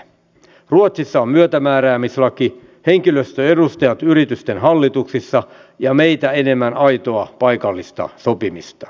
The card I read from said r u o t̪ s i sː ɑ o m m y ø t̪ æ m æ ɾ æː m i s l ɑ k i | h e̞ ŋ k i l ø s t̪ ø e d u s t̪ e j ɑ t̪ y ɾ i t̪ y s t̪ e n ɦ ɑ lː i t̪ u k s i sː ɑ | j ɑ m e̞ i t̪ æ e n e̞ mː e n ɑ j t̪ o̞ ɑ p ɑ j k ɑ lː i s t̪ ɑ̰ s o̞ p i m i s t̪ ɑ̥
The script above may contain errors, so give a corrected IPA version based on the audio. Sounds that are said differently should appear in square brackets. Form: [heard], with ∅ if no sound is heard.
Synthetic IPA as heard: r u o t̪ s i sː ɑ o m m y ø t̪ æ m [æː] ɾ æː m i s l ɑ k i | h e̞ ŋ k i l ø s t̪ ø e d u s t̪ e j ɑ t̪ y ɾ i t̪ y s t̪ e n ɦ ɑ lː i t̪ u k s i sː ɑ | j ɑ m e̞ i t̪ æ e n e̞ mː [æ] n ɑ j t̪ o̞ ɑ p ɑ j k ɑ lː i s t̪ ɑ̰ s o̞ p i m i s t̪ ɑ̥